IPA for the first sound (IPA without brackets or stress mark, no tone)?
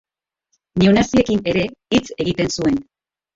n